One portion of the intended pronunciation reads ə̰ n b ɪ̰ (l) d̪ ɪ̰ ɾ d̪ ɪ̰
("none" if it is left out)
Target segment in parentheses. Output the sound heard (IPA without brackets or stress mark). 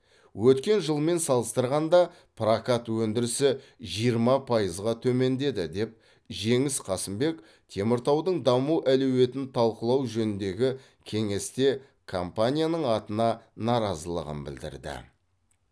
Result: l